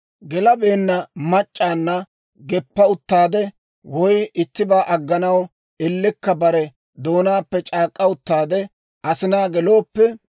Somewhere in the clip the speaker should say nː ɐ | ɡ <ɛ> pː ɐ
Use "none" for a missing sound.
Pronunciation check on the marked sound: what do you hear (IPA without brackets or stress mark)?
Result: ɛ